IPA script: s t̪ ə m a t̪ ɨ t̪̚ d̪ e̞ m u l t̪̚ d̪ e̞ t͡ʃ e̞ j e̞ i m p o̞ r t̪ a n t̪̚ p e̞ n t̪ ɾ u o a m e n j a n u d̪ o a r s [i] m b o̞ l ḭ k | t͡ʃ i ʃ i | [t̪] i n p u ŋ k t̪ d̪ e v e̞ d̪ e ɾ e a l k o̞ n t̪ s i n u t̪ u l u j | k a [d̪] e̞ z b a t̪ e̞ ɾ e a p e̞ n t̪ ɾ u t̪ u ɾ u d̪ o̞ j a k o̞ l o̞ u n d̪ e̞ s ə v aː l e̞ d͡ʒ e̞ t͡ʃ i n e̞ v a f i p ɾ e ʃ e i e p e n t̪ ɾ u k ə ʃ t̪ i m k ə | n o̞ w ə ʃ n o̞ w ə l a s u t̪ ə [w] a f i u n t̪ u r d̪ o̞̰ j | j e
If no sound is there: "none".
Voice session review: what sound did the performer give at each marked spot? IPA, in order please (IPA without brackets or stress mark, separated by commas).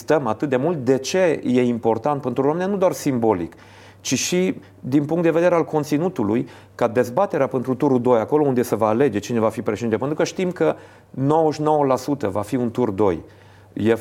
i, d̪, d̪, v